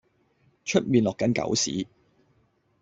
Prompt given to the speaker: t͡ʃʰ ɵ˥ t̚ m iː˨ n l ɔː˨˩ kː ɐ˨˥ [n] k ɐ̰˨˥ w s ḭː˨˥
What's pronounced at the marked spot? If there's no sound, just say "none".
n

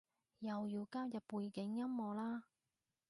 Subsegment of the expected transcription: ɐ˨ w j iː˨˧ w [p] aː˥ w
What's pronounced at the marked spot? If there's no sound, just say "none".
k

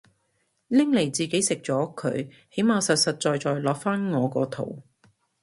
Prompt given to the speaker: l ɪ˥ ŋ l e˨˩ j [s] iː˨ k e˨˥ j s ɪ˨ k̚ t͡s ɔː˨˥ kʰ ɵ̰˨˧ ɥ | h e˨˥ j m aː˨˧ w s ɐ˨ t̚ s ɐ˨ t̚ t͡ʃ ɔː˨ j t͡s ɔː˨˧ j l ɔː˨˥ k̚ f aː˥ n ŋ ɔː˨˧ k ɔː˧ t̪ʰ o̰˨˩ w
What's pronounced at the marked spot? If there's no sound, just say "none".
t͡s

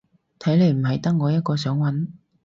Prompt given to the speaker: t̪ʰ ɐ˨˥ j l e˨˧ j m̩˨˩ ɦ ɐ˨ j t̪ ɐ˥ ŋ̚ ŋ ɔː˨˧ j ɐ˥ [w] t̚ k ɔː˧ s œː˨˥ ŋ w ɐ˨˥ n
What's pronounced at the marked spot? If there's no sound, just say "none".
none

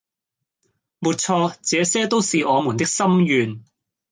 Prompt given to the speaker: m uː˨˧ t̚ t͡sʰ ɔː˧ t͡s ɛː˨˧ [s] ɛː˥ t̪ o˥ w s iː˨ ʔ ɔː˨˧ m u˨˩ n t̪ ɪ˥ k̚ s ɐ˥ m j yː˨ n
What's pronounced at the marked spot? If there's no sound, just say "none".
s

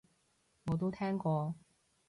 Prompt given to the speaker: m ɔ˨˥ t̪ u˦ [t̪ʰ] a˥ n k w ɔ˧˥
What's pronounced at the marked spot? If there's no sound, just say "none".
t̪ʰ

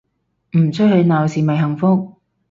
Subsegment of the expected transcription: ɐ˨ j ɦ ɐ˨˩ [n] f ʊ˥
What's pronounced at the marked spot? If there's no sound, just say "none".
ŋ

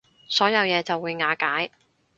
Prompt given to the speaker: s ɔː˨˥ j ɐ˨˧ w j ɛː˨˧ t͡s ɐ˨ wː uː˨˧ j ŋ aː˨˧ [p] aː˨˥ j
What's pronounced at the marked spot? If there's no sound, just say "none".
k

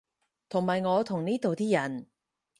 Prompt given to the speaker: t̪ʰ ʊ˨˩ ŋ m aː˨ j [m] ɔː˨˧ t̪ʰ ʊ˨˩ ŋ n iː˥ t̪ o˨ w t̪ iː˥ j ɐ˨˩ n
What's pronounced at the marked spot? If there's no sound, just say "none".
ŋ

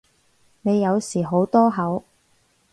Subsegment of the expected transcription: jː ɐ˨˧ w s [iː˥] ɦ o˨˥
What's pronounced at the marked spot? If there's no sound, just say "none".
iː˨˩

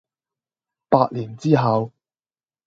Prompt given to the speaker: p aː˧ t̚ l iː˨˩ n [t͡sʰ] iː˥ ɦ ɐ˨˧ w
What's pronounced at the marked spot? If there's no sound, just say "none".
t͡s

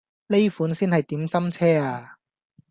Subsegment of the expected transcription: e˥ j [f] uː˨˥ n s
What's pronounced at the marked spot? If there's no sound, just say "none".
f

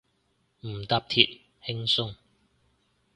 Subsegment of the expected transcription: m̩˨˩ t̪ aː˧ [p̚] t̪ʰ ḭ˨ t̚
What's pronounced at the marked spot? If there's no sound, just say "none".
p̚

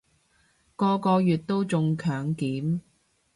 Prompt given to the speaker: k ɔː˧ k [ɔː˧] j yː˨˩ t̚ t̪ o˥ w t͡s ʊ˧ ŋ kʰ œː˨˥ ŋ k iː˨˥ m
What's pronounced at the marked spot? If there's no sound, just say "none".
ɔː˧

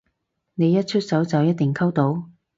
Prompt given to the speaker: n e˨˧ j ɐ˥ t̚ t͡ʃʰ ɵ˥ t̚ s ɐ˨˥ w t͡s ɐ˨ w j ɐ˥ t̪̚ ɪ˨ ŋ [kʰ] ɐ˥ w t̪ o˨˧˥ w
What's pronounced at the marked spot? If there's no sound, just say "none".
kʰ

